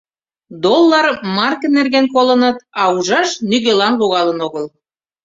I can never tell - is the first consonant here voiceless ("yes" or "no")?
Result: no